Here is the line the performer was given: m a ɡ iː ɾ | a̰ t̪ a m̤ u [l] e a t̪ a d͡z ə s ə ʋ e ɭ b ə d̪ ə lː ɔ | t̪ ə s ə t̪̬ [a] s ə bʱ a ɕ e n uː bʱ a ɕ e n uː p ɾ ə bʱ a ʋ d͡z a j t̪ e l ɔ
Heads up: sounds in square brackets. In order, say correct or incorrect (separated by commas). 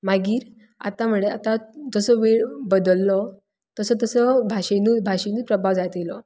incorrect, incorrect